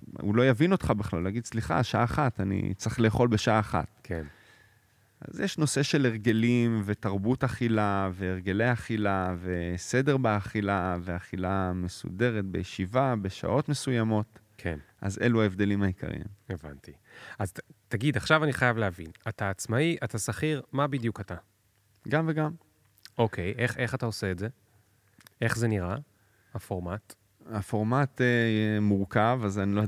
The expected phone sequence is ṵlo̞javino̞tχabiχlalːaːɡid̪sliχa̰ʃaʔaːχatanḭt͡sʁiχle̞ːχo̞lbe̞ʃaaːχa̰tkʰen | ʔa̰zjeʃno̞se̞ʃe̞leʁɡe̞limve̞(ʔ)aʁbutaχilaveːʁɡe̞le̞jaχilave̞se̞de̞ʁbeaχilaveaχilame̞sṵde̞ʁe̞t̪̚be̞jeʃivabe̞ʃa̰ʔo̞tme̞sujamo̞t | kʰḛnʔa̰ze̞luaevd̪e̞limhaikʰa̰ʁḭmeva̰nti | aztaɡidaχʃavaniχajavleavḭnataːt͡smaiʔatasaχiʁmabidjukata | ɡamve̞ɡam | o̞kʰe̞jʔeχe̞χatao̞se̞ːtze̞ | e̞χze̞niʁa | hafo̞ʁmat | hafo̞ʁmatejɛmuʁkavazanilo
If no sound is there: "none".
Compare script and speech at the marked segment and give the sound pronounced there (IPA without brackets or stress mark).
t